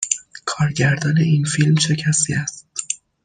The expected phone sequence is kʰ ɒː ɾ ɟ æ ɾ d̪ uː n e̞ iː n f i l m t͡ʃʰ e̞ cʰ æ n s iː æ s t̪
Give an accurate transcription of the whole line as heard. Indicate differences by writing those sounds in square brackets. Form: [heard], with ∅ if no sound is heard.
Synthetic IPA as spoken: kʰ ɒː ɾ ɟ æ ɾ d̪ [ɒː] n e̞ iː n f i l m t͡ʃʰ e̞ cʰ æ [∅] s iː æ s t̪